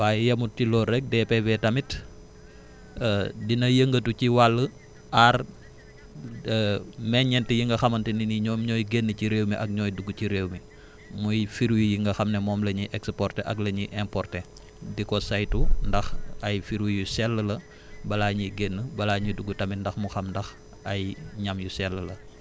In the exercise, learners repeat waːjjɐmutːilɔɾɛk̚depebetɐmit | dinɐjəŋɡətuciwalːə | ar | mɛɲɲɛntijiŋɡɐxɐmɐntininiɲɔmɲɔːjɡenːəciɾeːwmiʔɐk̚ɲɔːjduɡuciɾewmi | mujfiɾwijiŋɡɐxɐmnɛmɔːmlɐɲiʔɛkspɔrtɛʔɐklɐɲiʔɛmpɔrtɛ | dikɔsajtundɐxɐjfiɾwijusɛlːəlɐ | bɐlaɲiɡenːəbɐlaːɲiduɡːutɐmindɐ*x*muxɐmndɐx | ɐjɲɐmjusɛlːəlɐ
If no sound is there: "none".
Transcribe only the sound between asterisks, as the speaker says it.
x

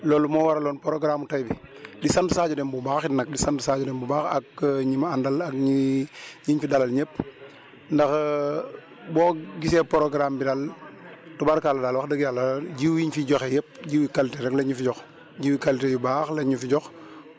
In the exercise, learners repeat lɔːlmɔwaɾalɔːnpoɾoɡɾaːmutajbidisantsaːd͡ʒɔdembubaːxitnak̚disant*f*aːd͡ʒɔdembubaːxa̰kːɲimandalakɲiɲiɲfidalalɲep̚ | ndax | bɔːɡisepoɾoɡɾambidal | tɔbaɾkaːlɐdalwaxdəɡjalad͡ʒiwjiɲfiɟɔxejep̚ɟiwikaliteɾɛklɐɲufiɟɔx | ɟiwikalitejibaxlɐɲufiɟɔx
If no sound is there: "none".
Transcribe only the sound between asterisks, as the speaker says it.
s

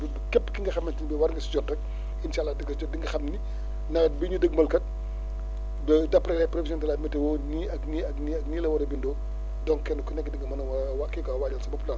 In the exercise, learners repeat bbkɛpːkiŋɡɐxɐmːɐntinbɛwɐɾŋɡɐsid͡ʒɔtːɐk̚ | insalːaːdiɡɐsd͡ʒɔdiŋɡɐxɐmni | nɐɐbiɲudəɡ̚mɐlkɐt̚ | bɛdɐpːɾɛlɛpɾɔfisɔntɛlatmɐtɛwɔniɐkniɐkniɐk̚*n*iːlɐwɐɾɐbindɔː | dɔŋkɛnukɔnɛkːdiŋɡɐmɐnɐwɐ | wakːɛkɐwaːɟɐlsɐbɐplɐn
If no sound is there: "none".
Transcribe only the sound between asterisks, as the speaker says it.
n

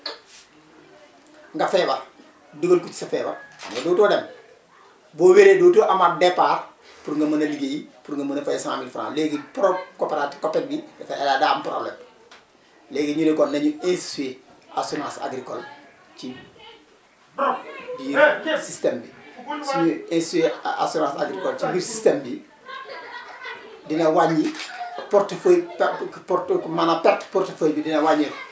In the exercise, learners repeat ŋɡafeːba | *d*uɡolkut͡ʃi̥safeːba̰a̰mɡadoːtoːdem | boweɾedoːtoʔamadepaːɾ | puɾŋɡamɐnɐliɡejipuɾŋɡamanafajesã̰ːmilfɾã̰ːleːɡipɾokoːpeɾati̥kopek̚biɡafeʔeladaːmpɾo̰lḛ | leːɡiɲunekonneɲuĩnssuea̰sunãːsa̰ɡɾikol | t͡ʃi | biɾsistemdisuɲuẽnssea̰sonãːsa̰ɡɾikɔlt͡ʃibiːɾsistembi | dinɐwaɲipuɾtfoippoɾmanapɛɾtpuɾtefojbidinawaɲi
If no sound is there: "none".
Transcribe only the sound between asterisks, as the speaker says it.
d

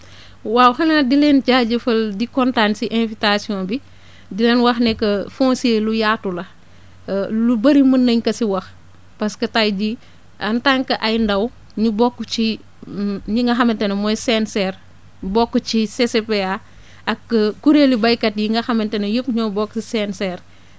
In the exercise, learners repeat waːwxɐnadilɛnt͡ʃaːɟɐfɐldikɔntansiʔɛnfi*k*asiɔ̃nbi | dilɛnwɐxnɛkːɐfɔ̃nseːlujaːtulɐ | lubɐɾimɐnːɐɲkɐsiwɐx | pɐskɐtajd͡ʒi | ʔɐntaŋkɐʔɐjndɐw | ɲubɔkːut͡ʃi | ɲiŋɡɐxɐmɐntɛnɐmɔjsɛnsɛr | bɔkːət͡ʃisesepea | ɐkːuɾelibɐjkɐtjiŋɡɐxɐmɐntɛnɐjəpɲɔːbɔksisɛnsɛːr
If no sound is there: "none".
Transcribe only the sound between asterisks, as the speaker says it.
t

